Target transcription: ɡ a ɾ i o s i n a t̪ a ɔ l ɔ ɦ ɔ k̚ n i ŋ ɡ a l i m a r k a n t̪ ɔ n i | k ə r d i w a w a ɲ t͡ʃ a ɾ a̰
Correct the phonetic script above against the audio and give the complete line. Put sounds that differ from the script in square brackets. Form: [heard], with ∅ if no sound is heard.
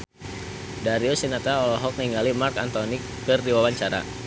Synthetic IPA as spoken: [d] a ɾ i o s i n a t̪ a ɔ l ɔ ɦ ɔ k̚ n i ŋ ɡ a l i m a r k a n t̪ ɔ n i | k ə r d i w a w a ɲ t͡ʃ a ɾ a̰